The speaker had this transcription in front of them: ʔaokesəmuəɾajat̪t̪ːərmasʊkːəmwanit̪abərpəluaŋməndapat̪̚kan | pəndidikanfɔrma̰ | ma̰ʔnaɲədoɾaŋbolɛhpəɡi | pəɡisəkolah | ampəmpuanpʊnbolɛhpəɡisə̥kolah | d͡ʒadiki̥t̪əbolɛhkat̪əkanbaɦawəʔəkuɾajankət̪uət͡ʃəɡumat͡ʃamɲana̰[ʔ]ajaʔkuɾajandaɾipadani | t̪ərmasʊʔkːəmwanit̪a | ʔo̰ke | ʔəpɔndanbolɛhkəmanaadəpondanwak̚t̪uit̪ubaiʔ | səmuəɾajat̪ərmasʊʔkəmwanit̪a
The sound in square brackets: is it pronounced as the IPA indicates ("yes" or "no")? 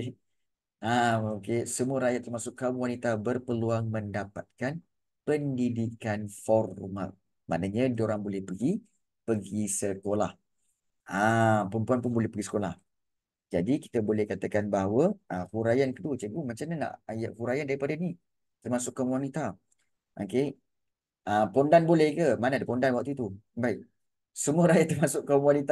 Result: yes